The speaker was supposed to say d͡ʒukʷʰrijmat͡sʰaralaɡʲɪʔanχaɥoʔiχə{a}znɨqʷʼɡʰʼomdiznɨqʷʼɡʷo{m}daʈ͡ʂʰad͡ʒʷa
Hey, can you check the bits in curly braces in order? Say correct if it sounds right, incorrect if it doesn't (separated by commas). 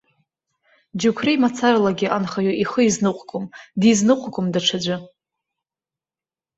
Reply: incorrect, correct